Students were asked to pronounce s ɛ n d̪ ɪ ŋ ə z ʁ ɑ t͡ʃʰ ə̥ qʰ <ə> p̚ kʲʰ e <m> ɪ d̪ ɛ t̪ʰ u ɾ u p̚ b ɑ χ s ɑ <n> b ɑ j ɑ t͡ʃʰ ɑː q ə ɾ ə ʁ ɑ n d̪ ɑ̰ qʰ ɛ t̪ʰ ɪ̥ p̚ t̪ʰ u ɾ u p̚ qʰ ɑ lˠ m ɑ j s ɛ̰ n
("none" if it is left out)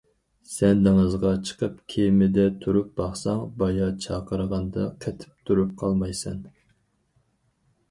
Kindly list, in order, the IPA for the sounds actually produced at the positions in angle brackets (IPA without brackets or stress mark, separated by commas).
ə, m, ŋ